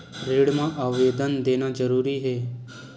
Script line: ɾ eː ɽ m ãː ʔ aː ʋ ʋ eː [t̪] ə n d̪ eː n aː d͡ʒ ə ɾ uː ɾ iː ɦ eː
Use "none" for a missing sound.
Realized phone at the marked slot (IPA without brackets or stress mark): d̪